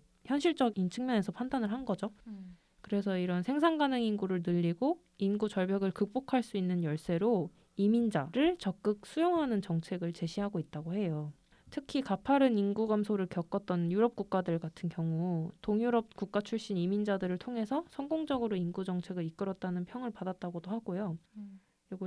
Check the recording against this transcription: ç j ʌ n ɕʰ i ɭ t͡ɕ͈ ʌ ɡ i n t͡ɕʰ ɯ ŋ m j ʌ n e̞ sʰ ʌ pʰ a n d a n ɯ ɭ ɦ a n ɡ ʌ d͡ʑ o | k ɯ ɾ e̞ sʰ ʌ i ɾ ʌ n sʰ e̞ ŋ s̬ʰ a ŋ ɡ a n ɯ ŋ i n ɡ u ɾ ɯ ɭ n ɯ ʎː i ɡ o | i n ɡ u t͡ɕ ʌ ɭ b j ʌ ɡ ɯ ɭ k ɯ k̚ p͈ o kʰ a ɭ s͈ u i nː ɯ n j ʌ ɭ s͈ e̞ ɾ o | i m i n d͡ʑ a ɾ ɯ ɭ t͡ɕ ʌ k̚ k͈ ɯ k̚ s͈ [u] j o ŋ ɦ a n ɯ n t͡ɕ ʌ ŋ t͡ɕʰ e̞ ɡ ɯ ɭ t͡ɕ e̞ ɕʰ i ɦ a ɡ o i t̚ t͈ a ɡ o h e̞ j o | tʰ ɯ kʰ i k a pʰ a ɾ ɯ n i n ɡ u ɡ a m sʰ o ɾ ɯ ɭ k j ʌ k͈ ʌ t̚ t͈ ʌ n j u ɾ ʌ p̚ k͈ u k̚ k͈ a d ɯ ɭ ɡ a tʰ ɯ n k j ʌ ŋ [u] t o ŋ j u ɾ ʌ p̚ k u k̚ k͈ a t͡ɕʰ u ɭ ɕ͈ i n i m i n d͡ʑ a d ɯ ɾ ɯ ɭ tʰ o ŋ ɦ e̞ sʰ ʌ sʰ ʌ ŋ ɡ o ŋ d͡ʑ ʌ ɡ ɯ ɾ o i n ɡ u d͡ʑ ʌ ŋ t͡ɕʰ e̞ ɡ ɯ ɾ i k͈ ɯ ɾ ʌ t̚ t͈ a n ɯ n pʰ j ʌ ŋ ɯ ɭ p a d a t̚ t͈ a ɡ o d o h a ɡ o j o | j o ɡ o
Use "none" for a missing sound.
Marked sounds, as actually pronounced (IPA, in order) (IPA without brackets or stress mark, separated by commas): u, u